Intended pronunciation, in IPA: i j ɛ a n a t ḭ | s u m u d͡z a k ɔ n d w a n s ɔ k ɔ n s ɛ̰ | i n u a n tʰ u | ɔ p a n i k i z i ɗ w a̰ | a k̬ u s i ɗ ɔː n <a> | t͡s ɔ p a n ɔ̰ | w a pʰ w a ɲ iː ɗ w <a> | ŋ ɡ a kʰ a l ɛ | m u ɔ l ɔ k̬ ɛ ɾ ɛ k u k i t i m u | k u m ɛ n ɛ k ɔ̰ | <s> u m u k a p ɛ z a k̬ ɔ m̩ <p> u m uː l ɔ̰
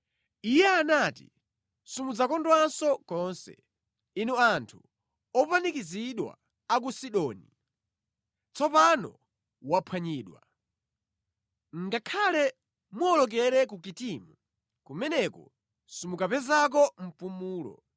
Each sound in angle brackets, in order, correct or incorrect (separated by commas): incorrect, correct, correct, correct